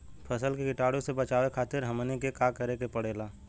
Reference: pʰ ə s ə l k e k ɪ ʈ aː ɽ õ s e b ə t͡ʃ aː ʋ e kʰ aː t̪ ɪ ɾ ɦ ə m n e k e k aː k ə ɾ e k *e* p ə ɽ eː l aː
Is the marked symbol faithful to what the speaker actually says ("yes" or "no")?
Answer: yes